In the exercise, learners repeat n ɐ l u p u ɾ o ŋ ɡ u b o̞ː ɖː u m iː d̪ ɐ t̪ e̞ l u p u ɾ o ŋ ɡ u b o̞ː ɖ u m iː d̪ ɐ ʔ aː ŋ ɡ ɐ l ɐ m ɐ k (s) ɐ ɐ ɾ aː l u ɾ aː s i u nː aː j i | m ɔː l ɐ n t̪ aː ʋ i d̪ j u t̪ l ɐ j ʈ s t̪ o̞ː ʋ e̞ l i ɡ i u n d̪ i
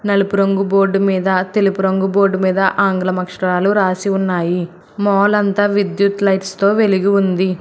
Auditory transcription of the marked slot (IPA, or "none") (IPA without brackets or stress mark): ʂ